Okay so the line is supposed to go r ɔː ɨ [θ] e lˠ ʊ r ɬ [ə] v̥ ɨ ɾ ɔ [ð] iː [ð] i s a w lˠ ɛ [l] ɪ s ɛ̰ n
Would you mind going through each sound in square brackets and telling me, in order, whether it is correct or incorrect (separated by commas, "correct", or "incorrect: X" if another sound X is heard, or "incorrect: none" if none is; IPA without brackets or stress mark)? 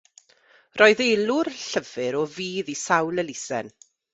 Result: incorrect: ð, correct, incorrect: v, correct, correct